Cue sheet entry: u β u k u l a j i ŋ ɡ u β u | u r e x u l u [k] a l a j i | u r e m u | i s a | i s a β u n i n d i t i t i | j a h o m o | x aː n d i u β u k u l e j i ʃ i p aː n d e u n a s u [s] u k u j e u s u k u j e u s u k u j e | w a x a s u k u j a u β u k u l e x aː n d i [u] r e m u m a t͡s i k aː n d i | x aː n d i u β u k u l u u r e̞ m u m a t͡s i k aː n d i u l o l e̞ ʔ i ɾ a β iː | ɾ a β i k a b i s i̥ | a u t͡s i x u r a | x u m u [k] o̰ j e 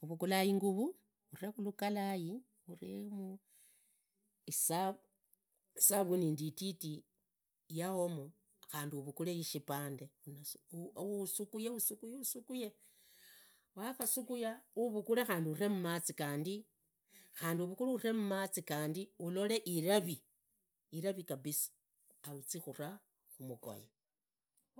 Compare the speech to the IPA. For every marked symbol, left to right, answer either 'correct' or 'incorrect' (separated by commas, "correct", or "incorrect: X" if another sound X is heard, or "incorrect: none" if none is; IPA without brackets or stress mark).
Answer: correct, correct, correct, correct